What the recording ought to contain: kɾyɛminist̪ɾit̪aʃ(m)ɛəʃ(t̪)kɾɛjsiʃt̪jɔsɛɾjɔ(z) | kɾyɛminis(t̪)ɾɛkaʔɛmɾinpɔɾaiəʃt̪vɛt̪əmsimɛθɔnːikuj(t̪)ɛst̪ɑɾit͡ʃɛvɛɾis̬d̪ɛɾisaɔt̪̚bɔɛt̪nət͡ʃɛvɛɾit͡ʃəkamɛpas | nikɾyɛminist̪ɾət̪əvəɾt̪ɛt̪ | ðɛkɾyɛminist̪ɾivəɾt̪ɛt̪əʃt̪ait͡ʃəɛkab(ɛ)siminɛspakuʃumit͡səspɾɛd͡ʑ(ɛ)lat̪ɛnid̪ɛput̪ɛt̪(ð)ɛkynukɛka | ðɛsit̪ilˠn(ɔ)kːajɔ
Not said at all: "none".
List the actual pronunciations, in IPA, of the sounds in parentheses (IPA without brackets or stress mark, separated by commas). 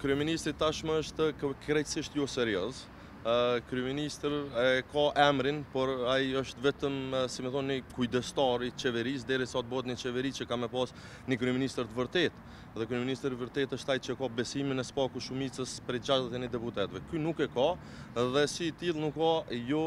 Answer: m, t̪, z, t̪, d̪, ɛ, a, v, u